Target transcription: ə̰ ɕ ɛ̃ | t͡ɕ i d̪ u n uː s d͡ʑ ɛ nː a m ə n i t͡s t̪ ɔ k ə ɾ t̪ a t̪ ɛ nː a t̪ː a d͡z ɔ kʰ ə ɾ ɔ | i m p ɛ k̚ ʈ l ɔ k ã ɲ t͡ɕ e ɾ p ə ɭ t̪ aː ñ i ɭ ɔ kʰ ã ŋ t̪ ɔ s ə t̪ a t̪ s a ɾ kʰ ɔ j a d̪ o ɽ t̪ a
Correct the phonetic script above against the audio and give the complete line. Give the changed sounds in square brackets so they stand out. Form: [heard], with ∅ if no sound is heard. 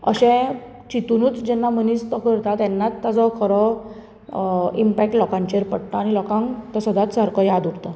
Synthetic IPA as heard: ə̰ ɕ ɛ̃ | t͡ɕ i [t̪] u n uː [t͡s] d͡ʑ ɛ nː a m ə n i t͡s t̪ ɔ k ə ɾ t̪ a t̪ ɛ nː a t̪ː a d͡z ɔ kʰ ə ɾ ɔ | i m p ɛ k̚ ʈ l ɔ k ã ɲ t͡ɕ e ɾ p ə [ɽ] t̪ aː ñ i [l] ɔ [k] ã ŋ t̪ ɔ s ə [d̪] a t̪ s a ɾ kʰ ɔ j a d̪ [u] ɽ t̪ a